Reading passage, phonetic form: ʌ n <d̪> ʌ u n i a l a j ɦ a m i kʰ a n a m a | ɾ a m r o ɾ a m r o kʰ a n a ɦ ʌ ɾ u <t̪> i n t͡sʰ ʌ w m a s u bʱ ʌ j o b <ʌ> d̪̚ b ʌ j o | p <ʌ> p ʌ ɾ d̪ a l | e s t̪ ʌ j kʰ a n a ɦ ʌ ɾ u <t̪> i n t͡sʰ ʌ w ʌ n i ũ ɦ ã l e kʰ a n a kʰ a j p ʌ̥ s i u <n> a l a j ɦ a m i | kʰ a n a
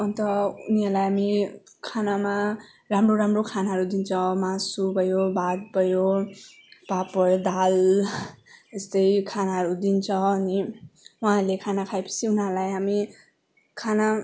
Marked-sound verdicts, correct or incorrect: incorrect: t̪, incorrect: d̪, incorrect: a, incorrect: a, incorrect: d̪, correct

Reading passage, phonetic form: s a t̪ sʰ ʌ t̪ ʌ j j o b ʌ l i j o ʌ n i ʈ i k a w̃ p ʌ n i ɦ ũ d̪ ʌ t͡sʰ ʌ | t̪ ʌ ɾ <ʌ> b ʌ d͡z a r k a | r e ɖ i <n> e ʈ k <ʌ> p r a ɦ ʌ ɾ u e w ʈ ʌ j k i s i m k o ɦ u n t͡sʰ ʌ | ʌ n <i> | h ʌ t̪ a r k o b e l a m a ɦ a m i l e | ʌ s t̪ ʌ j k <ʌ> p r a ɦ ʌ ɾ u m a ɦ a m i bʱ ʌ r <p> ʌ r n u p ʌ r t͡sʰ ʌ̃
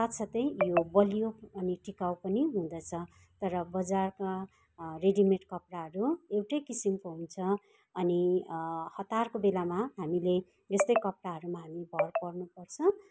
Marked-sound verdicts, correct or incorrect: correct, incorrect: m, correct, correct, correct, correct

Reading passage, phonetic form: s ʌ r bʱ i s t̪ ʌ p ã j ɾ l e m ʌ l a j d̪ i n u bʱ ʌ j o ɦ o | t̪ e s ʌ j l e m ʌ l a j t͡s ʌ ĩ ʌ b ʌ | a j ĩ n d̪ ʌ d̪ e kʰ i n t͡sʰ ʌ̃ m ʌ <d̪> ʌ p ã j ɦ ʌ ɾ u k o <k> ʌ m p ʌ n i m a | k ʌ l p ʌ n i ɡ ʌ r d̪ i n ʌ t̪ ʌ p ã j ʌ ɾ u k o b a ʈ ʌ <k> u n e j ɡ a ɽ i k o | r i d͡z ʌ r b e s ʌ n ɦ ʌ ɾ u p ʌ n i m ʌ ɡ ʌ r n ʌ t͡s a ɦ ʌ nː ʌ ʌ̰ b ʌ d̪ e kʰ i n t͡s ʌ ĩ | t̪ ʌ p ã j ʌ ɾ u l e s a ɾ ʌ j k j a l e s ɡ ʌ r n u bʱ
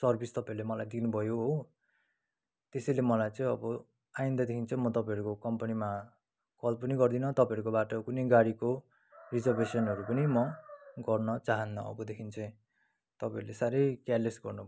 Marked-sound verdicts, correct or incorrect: incorrect: t̪, correct, correct

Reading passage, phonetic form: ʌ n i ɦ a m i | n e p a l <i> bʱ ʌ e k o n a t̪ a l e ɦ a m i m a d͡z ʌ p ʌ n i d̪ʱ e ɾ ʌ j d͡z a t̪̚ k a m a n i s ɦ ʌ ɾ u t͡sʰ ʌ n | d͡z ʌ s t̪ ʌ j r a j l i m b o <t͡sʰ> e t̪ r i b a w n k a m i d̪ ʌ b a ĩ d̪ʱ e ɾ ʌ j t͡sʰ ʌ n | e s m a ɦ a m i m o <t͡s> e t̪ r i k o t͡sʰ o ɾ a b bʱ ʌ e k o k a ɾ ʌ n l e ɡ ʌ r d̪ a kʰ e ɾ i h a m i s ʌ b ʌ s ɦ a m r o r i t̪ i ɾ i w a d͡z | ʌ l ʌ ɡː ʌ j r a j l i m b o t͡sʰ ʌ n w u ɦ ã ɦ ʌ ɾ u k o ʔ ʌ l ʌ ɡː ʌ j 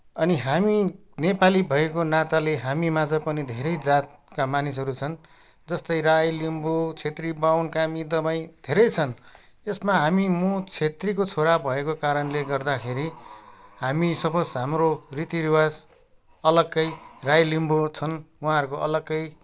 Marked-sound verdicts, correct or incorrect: correct, correct, incorrect: t͡sʰ

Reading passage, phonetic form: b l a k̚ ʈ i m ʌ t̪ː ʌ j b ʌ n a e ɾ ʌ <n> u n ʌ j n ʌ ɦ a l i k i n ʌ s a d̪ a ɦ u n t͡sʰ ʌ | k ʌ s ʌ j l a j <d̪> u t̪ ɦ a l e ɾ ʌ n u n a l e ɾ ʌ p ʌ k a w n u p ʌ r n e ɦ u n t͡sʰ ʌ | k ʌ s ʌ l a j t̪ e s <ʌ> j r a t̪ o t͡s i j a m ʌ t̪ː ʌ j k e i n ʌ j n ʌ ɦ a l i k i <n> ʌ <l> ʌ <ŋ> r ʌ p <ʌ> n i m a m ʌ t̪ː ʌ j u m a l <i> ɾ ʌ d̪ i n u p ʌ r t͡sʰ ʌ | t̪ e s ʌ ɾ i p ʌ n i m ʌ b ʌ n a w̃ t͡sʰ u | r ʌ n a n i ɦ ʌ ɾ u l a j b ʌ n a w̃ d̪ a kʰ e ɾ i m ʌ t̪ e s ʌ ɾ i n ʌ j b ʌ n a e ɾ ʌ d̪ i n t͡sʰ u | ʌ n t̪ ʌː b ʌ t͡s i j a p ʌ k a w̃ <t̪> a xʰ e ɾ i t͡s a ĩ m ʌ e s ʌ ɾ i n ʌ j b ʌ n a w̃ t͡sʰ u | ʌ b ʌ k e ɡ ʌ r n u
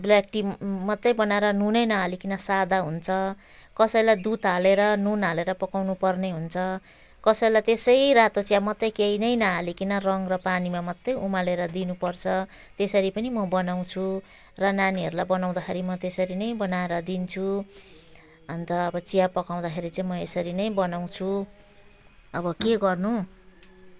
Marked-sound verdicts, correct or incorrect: correct, correct, correct, correct, incorrect: r, correct, incorrect: a, incorrect: e, incorrect: d̪

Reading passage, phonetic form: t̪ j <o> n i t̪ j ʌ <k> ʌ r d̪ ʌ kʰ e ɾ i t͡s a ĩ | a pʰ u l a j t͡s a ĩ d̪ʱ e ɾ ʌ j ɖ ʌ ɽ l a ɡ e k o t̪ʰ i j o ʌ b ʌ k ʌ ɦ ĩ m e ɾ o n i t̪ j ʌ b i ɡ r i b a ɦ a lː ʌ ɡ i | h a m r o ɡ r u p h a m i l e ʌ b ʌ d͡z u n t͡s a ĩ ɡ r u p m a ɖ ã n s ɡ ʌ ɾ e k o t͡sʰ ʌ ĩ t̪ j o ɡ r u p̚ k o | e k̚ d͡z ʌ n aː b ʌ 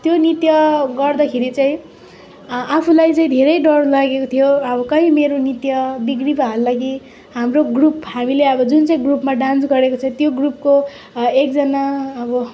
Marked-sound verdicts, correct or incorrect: correct, incorrect: ɡ

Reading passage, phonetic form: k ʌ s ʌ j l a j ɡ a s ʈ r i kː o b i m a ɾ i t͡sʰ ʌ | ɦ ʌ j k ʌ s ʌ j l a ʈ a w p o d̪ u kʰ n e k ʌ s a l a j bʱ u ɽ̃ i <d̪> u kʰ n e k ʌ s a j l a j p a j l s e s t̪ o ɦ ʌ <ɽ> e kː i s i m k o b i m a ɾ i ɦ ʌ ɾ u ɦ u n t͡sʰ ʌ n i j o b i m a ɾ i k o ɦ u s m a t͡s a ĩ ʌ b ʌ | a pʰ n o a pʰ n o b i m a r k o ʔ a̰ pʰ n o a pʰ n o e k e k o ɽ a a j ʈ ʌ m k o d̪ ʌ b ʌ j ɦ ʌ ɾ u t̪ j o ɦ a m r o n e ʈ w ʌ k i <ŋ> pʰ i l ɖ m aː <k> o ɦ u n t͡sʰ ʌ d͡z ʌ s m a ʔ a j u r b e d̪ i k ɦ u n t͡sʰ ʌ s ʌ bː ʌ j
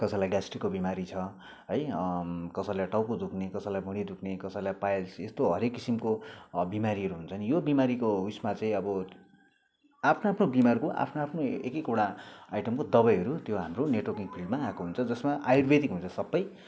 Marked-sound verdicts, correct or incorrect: correct, incorrect: ɾ, correct, correct

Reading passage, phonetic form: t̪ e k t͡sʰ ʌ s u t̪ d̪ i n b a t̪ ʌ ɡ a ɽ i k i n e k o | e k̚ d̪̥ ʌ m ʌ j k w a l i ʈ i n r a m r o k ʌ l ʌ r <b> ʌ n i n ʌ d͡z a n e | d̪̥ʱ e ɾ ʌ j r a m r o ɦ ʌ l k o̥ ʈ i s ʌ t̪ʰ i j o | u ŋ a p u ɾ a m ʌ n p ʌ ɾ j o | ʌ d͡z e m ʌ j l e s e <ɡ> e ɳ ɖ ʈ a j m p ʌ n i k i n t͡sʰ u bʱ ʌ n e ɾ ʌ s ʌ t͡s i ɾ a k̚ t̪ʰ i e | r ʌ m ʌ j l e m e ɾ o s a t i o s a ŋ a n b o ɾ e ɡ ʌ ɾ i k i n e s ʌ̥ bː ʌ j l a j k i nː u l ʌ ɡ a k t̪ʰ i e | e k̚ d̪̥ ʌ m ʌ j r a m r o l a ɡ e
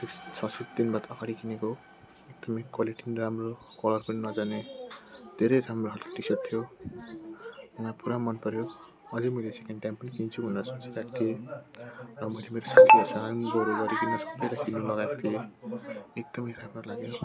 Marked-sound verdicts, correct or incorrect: incorrect: p, incorrect: k

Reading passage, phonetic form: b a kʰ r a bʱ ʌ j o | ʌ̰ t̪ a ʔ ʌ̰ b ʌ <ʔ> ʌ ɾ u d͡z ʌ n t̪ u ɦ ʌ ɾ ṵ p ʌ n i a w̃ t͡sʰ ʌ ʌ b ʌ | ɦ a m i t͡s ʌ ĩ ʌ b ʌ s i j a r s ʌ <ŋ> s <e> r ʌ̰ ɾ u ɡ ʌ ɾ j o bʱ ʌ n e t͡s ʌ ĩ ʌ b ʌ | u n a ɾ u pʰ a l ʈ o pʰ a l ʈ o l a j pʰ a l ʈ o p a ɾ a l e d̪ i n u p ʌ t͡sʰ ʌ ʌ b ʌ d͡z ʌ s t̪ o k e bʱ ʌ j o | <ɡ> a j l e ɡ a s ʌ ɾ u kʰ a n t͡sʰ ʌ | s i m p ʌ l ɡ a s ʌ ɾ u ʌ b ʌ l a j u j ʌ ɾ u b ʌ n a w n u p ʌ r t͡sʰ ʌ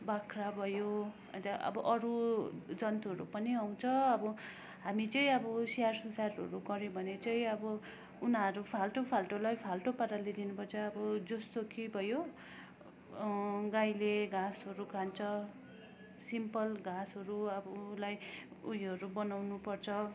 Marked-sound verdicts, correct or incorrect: correct, incorrect: n, incorrect: a, correct

